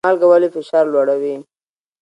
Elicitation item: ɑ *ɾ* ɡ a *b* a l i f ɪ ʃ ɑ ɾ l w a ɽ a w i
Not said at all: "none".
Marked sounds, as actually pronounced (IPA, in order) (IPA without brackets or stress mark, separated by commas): l, w